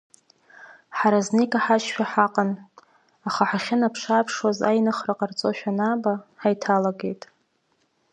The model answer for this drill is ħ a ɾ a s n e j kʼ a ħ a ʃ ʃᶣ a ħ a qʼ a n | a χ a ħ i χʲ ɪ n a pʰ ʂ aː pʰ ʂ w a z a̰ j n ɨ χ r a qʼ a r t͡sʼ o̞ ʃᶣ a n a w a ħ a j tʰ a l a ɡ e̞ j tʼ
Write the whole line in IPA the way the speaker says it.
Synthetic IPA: ħ a ɾ a z n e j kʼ a ħ a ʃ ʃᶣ a ħ a qʼ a n | a χ a ħ a χʲ ɪ n a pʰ ʂ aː pʰ ʂ w a z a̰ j n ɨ χ r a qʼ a r t͡sʼ o̞ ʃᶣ a n a b a ħ a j tʰ a l a ɡ e̞ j tʼ